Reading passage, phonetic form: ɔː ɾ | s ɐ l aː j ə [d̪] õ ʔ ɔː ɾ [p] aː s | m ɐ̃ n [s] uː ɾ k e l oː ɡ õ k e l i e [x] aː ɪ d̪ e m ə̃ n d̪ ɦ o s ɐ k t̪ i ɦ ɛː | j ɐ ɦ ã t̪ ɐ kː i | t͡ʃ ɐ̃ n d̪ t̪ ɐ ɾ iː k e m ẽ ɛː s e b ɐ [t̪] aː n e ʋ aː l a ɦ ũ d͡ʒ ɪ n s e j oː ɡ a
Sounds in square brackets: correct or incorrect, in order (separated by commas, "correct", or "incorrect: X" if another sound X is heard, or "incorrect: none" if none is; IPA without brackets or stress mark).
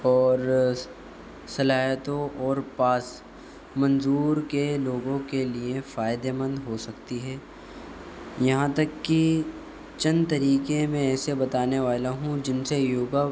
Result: incorrect: t̪, correct, incorrect: z, incorrect: f, correct